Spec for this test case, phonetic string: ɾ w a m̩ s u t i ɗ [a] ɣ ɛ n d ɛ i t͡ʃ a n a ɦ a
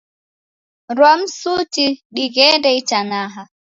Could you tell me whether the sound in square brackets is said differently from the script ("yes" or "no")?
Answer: yes